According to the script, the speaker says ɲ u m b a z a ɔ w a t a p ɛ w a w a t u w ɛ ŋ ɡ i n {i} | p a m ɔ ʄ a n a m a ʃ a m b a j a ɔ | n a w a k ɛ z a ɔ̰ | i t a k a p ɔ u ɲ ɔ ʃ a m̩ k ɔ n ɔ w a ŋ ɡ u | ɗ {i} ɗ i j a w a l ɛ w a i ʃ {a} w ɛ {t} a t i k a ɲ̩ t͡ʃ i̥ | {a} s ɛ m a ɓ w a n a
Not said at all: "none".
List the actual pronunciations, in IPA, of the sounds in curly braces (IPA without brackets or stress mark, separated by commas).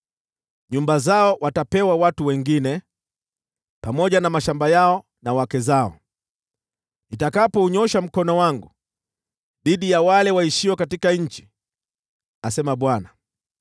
ɛ, i, i, k, a